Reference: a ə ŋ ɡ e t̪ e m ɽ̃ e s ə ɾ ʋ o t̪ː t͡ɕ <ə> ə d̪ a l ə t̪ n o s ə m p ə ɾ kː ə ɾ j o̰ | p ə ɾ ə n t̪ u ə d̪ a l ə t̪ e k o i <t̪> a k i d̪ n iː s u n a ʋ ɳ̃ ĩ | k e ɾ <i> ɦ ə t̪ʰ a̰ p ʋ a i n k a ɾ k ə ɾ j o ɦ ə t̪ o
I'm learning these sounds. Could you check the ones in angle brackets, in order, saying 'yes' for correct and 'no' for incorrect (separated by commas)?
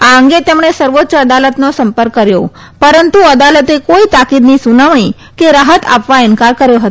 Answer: yes, yes, no